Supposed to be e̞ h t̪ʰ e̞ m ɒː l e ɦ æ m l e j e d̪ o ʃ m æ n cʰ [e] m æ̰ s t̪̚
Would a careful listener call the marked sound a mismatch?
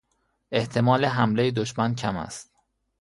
yes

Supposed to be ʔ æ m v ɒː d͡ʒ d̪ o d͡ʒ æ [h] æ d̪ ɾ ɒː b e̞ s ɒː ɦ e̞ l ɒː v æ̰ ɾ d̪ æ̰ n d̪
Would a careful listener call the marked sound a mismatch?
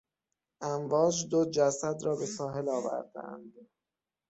yes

